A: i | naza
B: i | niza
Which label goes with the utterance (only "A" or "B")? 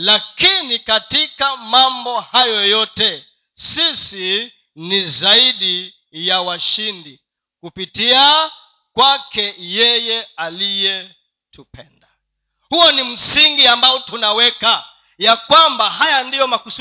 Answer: B